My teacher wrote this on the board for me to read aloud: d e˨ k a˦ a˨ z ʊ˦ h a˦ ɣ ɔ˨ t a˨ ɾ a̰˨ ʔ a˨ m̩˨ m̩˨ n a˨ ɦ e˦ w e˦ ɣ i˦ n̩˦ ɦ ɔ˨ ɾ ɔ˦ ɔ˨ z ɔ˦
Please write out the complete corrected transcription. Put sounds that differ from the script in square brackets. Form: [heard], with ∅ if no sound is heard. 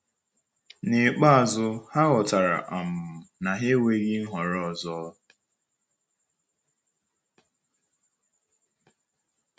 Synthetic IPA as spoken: [n] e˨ [k͡p] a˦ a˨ z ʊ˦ h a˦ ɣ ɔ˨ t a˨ ɾ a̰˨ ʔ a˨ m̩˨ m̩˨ n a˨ ɦ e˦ w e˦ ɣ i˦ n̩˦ ɦ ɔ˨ ɾ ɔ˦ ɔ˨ z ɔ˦